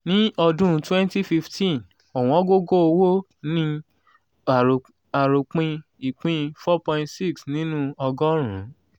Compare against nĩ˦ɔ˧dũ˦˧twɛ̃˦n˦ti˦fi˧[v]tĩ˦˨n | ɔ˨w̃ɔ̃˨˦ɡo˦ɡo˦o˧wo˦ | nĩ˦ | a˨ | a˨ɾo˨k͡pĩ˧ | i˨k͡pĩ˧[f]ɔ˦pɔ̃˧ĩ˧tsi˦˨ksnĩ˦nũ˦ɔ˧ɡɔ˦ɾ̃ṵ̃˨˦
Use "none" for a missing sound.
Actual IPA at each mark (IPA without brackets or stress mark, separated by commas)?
f, f